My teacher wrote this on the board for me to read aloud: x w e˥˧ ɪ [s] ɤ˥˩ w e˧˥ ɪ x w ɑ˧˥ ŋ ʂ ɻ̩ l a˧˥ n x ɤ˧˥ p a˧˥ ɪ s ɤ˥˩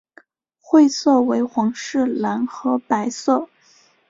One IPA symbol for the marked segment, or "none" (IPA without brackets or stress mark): s